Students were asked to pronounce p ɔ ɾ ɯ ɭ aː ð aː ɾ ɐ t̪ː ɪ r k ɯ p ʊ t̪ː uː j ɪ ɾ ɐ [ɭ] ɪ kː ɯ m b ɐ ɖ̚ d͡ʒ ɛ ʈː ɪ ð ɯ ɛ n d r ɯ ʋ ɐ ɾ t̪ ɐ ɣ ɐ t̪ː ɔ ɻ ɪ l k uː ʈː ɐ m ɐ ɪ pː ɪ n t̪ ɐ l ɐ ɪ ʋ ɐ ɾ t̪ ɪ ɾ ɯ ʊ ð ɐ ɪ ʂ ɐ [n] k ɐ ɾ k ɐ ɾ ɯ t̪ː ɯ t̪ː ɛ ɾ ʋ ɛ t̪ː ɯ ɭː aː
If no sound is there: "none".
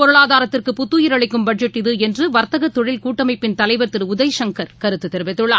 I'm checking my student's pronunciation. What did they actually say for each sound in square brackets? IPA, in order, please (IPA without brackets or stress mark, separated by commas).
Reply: ɭ, ŋ